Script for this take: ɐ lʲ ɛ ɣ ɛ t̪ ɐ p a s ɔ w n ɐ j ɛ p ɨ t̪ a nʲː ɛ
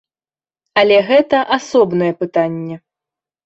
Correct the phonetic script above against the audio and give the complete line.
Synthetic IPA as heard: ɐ lʲ ɛ ɣ ɛ t̪ ɐ ʔ a s ɔ b n ɐ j ɛ p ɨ t̪ a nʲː ɛ